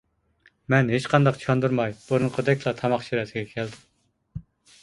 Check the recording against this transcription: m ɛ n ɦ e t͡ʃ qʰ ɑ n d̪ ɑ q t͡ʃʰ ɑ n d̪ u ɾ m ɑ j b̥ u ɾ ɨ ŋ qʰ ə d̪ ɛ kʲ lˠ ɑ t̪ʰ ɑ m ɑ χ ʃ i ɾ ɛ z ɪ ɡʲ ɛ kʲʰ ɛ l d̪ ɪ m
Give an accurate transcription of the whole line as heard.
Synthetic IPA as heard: m ɛ n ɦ e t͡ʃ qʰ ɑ n d̪ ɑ q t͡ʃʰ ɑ n d̪ u ɾ m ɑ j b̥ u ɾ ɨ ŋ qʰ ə d̪ ɛ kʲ lˠ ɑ t̪ʰ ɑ m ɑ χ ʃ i ɾ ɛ s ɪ ɡʲ ɛ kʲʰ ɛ l d̪ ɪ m